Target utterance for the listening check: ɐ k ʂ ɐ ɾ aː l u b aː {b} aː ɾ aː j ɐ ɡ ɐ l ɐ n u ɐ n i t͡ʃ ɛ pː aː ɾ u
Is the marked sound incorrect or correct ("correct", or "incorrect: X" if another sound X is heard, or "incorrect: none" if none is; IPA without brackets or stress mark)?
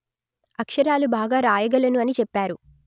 incorrect: ɡ